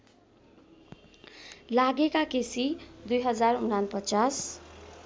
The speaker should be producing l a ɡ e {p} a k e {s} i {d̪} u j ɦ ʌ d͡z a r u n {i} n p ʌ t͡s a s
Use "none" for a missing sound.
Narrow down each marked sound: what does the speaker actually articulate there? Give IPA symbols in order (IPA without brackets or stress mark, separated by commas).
k, s, d̪, a